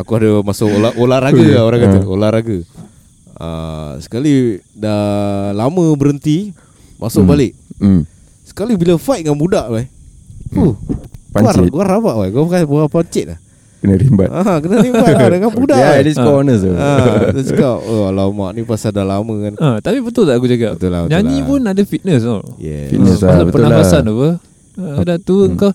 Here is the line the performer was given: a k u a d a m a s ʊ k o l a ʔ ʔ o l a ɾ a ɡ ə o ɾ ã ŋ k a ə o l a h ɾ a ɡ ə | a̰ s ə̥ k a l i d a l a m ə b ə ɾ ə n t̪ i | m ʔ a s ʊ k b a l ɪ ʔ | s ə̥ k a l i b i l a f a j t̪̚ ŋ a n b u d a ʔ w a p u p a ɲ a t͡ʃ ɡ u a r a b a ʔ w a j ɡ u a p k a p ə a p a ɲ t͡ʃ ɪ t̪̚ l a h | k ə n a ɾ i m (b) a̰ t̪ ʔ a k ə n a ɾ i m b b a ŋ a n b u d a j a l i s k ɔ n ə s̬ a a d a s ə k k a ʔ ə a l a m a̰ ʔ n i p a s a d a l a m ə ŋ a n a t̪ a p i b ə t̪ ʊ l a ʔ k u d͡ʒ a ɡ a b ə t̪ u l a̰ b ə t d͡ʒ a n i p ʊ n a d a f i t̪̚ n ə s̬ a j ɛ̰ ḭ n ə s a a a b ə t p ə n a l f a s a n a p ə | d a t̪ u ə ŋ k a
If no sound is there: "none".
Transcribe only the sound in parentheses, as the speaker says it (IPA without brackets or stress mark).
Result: b